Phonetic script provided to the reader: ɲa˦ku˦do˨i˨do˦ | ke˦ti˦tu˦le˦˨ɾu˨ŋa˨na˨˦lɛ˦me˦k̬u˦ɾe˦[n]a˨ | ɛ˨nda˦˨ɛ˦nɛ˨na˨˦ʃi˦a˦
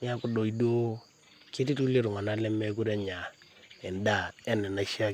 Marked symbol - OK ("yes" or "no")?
no